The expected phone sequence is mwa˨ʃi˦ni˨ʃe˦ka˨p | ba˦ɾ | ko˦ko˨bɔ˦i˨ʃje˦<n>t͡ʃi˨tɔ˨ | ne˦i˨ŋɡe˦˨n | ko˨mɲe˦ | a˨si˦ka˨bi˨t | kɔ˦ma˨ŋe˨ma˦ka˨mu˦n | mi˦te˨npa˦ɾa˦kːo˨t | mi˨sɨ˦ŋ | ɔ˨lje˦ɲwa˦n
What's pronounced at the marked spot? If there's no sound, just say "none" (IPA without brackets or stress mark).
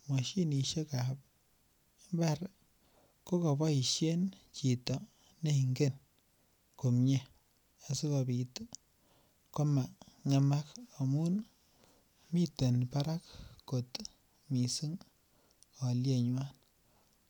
n